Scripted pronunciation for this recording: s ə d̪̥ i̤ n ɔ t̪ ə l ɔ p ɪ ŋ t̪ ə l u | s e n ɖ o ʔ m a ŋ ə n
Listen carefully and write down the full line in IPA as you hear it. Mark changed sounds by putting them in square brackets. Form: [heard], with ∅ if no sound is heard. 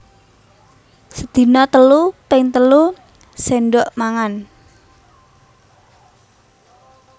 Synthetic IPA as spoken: s ə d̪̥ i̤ n ɔ t̪ ə l [u] p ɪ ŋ t̪ ə l u | s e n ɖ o ʔ m a ŋ [a] n